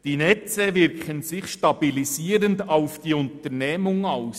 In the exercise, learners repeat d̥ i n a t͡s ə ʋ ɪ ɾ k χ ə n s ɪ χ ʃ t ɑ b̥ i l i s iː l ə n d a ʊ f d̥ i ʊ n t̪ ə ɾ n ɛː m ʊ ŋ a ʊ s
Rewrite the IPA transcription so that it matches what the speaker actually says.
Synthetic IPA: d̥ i n ɛ t͡s ə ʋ ɪ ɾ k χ ə n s ɪ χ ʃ t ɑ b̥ i l i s iː ɾ ə n d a ʊ f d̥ i ʊ n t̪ ə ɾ n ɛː m ʊ ŋ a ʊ s